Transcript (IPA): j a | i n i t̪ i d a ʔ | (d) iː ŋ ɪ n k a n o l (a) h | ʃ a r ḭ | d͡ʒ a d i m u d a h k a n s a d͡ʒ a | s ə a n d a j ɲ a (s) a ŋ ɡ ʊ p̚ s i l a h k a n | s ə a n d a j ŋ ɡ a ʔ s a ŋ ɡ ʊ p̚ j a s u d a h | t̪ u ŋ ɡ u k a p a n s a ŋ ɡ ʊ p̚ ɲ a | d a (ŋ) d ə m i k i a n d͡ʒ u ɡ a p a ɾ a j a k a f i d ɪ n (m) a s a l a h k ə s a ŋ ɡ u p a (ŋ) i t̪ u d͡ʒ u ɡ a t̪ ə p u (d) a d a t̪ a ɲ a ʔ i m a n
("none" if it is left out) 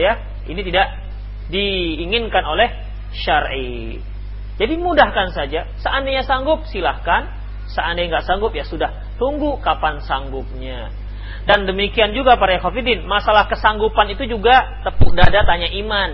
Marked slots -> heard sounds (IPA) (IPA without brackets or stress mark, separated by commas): d, ɛ, s, n, m, n, d